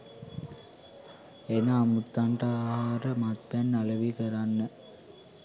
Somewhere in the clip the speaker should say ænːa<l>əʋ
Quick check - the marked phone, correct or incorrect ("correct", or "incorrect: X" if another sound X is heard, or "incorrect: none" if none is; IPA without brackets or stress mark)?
correct